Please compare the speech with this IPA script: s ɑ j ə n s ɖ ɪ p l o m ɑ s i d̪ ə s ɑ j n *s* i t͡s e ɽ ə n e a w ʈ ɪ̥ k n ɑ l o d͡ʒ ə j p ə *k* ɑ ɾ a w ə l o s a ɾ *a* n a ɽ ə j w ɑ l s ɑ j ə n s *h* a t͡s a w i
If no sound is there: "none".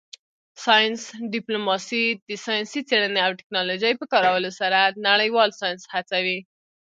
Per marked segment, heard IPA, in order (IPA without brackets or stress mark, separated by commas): s, k, a, h